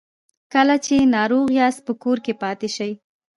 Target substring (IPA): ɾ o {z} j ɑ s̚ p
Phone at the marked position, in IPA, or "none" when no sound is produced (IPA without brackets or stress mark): ɣ